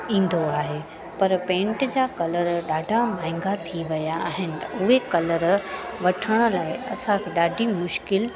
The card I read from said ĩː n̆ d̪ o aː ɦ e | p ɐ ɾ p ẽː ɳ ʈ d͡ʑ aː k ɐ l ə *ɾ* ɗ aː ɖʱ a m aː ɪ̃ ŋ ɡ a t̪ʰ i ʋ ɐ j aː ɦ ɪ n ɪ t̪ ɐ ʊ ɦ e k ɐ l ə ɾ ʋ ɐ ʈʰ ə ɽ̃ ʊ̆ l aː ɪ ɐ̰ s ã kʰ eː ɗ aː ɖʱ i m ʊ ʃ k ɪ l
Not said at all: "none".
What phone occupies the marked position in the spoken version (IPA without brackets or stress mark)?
ɾ